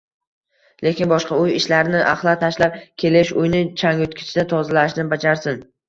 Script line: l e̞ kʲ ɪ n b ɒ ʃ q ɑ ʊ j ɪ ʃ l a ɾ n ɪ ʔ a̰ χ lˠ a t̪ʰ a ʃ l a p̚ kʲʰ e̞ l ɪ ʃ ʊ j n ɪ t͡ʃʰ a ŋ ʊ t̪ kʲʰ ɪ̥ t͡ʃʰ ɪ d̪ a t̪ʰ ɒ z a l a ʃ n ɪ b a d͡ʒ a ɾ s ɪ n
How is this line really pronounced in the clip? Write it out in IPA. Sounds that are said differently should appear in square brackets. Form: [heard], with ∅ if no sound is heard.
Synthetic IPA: l e̞ kʲ ɪ n b ɒ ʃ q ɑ ʊ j ɪ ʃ l a ɾ n ɪ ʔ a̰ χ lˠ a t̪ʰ a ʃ l a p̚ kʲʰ e̞ l ɪ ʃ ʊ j n ɪ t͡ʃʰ a ŋ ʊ t̪ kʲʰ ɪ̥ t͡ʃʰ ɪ d̪ a t̪ʰ ɒ z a l a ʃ n ɪ b a d͡ʒ a ɾ s ɪ n